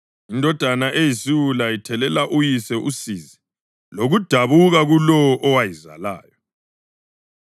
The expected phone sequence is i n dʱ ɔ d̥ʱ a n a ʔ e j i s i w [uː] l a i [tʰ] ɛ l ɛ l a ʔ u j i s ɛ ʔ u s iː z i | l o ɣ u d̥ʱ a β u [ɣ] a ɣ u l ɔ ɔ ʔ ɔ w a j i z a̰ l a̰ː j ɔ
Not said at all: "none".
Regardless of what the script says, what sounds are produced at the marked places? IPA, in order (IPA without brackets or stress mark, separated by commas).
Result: u, tʰ, ɣ